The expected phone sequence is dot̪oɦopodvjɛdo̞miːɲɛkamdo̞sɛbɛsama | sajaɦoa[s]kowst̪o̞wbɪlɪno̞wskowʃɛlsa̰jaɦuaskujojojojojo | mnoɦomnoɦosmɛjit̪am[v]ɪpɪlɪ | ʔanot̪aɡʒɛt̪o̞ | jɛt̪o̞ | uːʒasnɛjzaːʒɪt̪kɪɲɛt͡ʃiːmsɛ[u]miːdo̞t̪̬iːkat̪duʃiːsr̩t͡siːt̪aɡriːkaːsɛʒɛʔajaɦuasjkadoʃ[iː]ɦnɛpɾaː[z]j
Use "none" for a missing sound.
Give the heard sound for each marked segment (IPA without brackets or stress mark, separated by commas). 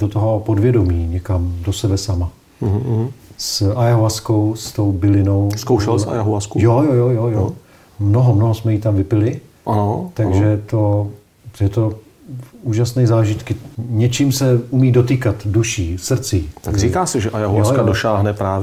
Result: s, v, u, aː, v